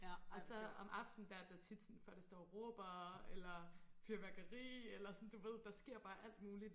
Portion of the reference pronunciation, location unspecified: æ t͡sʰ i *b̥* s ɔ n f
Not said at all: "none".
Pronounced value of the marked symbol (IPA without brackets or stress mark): d̥